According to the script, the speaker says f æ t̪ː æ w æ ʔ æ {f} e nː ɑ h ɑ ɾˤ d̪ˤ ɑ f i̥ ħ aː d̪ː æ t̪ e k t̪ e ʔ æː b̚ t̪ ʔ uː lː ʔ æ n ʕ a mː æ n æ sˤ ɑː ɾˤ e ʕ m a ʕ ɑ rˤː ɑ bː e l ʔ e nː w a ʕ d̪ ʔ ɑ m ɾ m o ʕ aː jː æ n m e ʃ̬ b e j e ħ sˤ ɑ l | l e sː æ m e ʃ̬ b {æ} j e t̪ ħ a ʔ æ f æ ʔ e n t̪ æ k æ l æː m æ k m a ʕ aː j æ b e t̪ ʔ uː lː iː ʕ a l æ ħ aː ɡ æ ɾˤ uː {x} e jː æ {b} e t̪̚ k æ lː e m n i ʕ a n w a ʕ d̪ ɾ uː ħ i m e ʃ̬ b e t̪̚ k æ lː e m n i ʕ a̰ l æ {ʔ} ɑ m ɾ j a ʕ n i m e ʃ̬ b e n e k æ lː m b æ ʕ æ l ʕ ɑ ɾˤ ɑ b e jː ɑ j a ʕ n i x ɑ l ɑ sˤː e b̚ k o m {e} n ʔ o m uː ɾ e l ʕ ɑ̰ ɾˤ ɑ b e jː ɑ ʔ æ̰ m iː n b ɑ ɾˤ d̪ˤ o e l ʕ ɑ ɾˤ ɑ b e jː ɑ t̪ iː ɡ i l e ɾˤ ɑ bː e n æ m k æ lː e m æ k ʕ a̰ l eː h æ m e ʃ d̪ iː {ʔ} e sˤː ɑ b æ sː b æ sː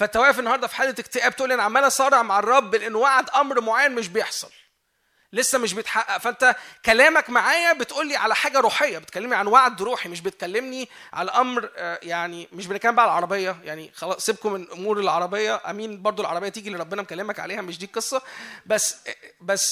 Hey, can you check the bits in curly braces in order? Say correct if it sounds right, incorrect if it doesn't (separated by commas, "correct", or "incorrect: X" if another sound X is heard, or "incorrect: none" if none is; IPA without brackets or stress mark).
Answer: correct, incorrect: e, incorrect: ħ, correct, correct, correct, incorrect: q